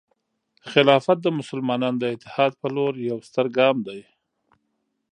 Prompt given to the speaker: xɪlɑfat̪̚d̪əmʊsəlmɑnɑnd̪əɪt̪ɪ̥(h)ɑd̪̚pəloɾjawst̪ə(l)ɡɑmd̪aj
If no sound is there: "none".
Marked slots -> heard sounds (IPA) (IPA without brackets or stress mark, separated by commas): h, ɾ